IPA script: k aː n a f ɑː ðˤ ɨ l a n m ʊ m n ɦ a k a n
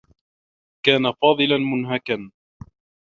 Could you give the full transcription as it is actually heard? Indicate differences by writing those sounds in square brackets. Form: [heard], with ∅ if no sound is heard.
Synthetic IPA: k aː n a f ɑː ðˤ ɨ l a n m ʊ [∅] n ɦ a k a n